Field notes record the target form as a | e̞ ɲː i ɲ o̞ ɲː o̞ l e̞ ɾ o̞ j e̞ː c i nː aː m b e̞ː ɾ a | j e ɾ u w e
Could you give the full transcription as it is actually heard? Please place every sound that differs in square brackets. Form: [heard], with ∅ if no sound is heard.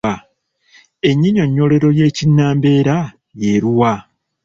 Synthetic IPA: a | e̞ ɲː i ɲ o̞ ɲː o̞ l e̞ ɾ o̞ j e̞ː c i nː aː m b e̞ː ɾ a | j e ɾ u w [a]

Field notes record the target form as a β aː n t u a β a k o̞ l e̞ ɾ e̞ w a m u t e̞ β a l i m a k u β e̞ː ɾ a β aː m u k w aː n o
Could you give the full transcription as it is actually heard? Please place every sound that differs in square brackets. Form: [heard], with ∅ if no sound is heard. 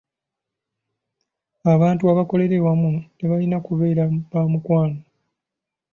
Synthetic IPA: a β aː n t u a β a k o̞ l e̞ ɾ e̞ w a m u t e̞ β a l i [n] a k u β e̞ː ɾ a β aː m u k w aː n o

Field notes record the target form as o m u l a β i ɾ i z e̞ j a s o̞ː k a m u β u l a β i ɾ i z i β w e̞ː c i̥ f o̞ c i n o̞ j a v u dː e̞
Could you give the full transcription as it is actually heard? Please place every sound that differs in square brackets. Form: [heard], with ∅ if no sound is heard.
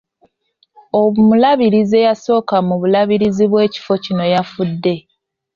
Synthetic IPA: o m u l a β i ɾ i z e̞ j a s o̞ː k a m u β u l a β i ɾ i z i β w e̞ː c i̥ f o̞ c i n o̞ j a [f] u dː e̞

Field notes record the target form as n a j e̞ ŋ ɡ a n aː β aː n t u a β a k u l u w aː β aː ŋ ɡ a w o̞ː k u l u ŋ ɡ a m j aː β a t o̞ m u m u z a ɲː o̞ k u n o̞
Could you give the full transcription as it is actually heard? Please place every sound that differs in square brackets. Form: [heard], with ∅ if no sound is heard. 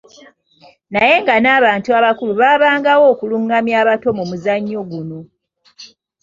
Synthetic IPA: n a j e̞ ŋ ɡ a n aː β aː n t u a β a k u l u [β] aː β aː ŋ ɡ a w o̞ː k u l u ŋ ɡ a m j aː β a t o̞ m u m u z a ɲː o̞ [ɡ] u n o̞

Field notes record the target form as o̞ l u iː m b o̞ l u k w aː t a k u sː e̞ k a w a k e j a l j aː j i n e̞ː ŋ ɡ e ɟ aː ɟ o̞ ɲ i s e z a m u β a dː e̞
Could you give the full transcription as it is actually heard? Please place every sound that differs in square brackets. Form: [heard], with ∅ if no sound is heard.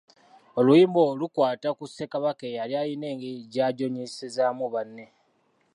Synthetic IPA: o̞ l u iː m b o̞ l u k w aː t a k u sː e̞ k a [β] a k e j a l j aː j i n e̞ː ŋ ɡ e ɟ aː ɟ o̞ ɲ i s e z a m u β a [nː] e̞

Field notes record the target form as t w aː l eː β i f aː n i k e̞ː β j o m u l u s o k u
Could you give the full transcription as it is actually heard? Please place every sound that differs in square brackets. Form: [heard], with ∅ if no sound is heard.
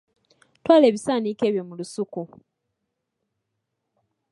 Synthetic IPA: t w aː l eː β i [s] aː n i k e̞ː β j o m u l u s [u] k u

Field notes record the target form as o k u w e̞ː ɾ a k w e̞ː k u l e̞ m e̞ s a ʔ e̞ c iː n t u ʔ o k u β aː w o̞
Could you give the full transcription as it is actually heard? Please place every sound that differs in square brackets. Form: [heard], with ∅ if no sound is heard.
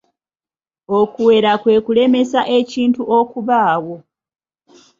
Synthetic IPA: o k u w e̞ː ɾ a k w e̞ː k u l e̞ m e̞ s a ʔ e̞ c iː n t u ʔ o k u β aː w o̞

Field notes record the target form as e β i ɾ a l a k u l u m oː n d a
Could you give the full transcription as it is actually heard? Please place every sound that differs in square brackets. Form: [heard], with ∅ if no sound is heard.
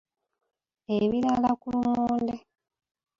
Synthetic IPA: e β i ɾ a l a k u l u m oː n d [e]

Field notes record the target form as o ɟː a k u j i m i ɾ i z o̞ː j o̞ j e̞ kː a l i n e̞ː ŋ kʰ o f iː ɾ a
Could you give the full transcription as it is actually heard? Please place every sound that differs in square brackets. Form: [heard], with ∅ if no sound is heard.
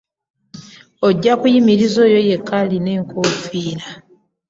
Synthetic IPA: o ɟː a k u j i m i ɾ i z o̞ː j o̞ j e̞ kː a l i n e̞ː ŋ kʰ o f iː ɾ a

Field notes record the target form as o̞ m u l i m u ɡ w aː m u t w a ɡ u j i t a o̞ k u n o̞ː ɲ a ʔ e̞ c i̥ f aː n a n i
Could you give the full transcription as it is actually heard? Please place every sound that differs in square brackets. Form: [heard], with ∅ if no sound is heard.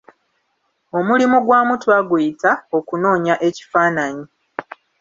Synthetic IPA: o̞ m u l i m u ɡ w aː m u t w a ɡ u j i t a o̞ k u n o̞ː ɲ a ʔ e̞ c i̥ f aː n a [ɲ] i

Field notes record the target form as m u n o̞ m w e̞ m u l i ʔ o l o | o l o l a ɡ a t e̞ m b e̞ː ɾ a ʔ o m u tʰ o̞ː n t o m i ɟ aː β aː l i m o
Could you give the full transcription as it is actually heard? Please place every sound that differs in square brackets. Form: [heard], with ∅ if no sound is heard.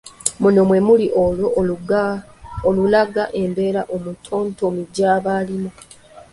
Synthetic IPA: m u n o̞ m w e̞ m u l i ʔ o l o | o l [u] l a ɡ a [ʔ] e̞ m b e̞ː ɾ a ʔ o m u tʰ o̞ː n t o m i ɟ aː β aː l i m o

